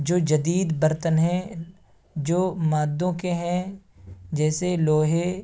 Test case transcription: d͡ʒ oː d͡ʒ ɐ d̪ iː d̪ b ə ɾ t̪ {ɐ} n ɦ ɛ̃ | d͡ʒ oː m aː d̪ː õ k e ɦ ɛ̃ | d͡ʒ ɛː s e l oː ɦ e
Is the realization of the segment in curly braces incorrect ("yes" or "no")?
yes